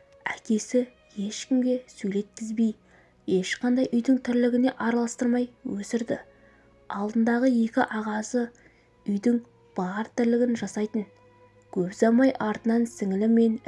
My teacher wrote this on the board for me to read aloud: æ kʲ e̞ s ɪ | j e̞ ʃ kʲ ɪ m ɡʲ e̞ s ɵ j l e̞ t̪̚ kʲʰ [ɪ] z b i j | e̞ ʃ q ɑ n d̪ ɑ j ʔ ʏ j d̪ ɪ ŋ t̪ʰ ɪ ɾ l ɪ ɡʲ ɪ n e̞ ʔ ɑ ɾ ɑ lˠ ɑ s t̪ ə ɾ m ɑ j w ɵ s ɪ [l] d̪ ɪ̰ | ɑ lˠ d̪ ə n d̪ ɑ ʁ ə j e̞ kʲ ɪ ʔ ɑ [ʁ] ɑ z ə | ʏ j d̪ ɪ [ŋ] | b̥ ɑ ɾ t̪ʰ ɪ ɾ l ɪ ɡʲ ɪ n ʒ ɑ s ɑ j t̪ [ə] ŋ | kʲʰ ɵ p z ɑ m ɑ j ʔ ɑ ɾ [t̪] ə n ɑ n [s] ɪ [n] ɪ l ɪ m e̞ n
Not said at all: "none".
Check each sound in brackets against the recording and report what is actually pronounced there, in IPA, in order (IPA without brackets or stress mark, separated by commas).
ɪ, ɾ, ʁ, ŋ, ə, t̪, s, ŋ